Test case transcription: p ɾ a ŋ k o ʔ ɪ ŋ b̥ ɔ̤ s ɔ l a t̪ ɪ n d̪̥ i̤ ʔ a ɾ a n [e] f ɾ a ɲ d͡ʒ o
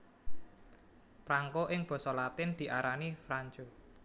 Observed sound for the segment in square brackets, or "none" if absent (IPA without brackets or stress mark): i